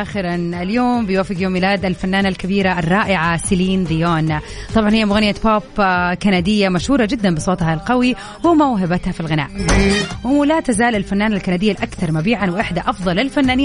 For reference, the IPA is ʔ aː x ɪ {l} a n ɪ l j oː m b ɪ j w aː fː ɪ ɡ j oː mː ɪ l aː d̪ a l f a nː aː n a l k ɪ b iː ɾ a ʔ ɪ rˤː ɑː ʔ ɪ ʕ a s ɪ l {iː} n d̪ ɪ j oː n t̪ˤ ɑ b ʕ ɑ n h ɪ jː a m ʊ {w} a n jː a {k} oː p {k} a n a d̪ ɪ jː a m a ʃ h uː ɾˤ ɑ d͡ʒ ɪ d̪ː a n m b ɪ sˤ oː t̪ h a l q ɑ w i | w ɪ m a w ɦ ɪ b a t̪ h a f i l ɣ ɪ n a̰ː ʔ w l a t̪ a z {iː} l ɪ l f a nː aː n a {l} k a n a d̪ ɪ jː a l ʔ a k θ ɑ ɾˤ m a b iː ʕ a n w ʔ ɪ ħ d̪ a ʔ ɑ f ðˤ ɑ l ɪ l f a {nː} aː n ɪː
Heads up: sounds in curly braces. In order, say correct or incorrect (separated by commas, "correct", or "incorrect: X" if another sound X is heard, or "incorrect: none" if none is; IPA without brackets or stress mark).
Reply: incorrect: ɾ, correct, incorrect: ɣ, incorrect: p, correct, incorrect: aː, correct, correct